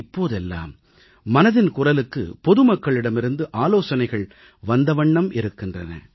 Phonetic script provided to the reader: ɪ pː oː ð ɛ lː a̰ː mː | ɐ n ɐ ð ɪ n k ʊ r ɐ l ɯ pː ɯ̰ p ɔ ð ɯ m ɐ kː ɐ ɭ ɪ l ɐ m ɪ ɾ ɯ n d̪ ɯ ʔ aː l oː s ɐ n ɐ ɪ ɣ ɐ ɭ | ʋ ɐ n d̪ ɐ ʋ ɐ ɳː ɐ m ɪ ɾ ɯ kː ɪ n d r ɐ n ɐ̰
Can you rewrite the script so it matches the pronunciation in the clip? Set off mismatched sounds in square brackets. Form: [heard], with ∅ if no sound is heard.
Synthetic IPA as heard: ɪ pː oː ð ɛ lː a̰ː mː | ɐ n ɐ ð ɪ n k ʊ r ɐ l ɯ [kː] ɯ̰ p ɔ ð ɯ m ɐ kː ɐ ɭ ɪ [ɽ] ɐ m ɪ ɾ ɯ n d̪ ɯ ʔ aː l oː s ɐ n ɐ ɪ ɣ ɐ ɭ | ʋ ɐ n d̪ ɐ ʋ ɐ ɳː ɐ m ɪ ɾ ɯ kː ɪ n d r ɐ n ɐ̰